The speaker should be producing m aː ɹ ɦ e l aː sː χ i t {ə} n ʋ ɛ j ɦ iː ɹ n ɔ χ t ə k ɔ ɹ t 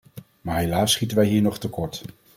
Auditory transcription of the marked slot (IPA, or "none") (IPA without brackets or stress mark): ə